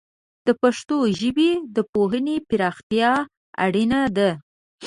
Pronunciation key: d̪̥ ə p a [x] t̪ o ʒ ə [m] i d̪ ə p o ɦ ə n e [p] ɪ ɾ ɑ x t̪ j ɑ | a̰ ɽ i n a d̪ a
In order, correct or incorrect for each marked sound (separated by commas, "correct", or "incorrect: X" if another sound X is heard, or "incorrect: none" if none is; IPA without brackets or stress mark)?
incorrect: ʂ, incorrect: b, correct